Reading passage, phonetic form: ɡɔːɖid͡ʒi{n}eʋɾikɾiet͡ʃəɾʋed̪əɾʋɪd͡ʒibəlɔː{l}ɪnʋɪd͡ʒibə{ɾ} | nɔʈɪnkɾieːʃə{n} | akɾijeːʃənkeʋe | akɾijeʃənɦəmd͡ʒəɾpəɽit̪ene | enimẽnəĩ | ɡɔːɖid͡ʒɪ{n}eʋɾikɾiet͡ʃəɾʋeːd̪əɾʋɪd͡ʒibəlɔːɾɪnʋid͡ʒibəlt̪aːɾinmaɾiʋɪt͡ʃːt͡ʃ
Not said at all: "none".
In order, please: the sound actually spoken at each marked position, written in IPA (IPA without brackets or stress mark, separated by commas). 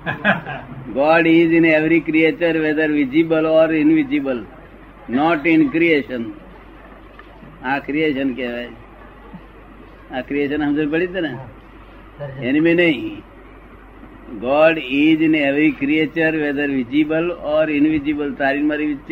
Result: n, ɾ, l, n, n